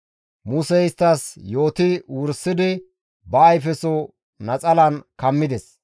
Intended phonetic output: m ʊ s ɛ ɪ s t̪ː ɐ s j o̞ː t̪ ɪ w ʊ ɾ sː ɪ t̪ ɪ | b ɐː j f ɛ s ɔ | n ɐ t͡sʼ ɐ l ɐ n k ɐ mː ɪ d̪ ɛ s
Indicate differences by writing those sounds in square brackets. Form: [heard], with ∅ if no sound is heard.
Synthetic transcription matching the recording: m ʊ s ɛ ɪ s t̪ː ɐ s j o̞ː t̪ ɪ w ʊ ɾ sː ɪ [d̪] ɪ | b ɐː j f ɛ s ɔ | n ɐ t͡sʼ ɐ l ɐ n k ɐ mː ɪ d̪ ɛ s